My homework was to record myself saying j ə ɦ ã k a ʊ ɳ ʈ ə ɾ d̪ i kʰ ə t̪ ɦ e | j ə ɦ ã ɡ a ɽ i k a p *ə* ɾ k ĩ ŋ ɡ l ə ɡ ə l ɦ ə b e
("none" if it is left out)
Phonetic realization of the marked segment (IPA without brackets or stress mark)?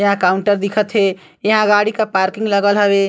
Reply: a